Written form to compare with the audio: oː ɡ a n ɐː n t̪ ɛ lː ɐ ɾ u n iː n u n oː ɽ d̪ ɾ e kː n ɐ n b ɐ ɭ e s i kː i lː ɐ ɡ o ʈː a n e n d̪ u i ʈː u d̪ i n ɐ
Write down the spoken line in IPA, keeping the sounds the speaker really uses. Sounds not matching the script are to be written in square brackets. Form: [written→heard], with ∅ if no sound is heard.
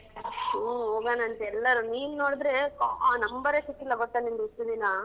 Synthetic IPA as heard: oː ɡ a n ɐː n t̪ ɛ lː ɐ ɾ u n iː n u n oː ɽ d̪ ɾ e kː n ɐ [n→m] b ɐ [ɭ→ɾ] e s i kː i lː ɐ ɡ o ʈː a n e n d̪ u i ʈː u d̪ i n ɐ